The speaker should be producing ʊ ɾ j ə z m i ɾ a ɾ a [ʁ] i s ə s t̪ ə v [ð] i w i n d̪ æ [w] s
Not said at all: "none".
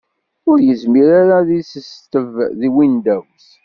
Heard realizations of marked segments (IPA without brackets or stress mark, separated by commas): ð, ð, w